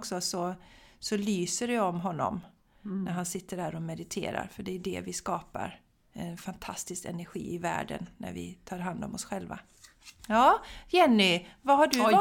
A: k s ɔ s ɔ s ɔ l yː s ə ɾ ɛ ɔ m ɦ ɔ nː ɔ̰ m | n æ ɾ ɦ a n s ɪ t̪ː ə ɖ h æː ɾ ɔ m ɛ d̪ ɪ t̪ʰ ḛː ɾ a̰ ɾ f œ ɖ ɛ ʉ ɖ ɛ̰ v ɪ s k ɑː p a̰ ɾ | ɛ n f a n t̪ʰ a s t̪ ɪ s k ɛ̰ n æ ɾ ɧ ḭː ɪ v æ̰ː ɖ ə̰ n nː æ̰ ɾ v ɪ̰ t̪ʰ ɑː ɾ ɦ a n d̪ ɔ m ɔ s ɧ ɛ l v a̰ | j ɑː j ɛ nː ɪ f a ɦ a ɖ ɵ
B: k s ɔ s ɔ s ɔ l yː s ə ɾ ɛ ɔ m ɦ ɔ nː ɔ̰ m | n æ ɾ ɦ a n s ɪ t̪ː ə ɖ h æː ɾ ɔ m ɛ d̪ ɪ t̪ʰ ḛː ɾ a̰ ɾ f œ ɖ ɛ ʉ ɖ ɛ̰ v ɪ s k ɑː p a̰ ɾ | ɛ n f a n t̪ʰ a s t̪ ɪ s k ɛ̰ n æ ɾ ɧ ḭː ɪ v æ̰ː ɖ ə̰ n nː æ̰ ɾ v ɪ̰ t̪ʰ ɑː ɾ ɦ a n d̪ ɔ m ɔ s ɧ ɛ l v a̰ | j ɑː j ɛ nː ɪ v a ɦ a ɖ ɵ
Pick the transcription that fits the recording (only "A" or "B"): B